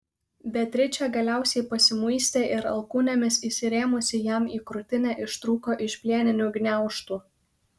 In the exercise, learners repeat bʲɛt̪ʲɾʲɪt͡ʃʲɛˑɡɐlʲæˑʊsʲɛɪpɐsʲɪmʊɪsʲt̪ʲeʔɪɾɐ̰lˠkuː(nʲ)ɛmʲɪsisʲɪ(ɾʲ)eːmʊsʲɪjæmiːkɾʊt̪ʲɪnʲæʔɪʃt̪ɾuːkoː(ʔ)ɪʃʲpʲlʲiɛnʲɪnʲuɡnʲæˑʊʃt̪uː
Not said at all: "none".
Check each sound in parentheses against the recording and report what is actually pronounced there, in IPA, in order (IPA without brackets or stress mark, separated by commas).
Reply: nʲ, ɾʲ, ʔ